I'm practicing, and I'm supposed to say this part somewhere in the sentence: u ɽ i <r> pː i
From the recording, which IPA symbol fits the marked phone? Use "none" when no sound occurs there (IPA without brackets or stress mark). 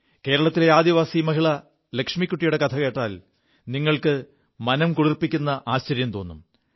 r